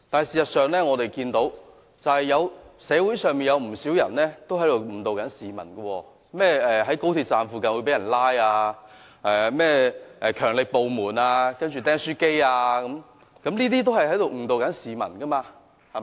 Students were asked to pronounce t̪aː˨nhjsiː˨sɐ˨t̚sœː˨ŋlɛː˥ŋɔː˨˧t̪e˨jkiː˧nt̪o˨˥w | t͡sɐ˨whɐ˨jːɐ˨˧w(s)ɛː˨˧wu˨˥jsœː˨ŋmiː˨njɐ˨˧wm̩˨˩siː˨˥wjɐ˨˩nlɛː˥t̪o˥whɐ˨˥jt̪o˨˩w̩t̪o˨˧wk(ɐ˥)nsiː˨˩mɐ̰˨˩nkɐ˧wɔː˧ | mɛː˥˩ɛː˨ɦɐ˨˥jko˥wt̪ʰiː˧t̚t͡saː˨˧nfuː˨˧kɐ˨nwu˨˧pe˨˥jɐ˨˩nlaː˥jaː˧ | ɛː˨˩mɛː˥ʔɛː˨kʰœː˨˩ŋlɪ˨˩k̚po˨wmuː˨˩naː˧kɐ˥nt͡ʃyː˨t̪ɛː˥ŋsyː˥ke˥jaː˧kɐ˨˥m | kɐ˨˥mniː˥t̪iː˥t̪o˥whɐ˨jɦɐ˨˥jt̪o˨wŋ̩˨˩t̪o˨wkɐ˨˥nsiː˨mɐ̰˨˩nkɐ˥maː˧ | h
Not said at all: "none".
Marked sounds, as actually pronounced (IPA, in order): s, ɐ˨˥

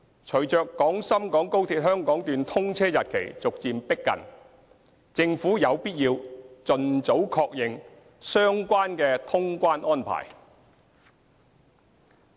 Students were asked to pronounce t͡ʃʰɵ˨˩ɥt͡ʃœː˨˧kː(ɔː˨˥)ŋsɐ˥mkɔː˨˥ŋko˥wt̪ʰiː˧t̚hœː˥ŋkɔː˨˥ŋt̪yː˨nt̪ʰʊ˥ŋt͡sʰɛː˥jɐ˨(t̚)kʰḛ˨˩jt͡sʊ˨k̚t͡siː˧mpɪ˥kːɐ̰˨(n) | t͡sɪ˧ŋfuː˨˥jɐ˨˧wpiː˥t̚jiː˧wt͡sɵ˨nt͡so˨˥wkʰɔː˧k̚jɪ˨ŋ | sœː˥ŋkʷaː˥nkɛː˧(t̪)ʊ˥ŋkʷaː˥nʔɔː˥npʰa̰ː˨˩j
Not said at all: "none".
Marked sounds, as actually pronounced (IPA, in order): ɔː˨˥, t̚, n, t̪ʰ

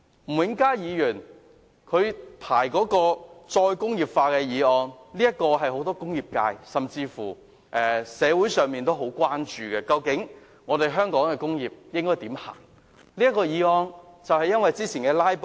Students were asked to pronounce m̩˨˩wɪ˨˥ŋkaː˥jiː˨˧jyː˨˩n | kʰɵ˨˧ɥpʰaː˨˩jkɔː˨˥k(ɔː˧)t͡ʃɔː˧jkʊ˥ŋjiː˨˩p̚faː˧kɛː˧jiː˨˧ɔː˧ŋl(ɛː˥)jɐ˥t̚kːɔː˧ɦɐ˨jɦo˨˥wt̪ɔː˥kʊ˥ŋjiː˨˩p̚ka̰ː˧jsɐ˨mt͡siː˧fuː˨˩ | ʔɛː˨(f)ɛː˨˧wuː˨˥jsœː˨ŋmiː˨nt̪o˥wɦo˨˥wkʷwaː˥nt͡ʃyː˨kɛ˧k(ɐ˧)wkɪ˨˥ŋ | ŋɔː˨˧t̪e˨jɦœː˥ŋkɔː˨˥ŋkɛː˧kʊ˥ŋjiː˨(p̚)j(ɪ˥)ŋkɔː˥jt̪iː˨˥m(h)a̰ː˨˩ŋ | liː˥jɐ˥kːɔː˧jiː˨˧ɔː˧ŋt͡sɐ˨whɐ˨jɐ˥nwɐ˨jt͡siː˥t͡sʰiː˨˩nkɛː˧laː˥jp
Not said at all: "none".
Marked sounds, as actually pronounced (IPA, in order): ɔː˧, iː˥, s, ɐ˧, p̚, ɪ˥, h

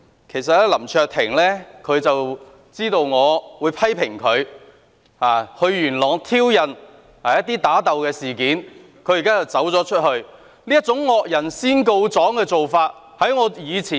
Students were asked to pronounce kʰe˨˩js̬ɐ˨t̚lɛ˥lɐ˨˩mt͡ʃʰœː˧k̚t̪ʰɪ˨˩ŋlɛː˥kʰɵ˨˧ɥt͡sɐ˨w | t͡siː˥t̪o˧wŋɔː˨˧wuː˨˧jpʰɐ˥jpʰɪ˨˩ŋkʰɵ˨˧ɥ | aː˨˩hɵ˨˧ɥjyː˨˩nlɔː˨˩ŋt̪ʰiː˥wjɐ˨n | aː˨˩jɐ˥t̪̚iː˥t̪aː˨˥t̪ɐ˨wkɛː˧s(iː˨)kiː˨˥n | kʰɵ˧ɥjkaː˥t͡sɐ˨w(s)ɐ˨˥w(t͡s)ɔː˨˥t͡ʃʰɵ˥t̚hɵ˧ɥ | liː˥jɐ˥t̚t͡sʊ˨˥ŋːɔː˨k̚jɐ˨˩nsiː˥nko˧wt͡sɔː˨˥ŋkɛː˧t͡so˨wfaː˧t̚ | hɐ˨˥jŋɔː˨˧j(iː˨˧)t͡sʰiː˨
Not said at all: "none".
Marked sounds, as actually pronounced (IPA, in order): iː˨, t͡s, t͡s, iː˨˧

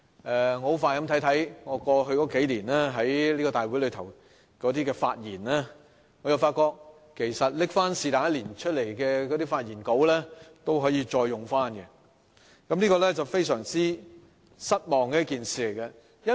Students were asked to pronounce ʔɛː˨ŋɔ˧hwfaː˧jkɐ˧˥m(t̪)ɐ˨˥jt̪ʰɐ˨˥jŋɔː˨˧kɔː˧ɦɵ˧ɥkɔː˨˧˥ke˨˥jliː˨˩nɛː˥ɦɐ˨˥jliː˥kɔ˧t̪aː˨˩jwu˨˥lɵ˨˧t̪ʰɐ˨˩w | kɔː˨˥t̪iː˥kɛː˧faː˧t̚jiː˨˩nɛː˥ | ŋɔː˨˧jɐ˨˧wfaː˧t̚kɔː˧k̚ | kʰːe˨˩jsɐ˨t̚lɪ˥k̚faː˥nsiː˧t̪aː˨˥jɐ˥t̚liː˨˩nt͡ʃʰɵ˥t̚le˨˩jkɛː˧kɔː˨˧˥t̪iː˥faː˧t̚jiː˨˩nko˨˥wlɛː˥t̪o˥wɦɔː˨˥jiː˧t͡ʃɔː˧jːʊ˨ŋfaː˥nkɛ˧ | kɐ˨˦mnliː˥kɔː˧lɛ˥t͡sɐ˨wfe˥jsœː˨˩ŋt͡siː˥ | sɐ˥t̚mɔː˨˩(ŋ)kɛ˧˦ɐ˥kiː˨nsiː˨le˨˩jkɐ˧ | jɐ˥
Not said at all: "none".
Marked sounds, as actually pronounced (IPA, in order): t̪ʰ, ŋ

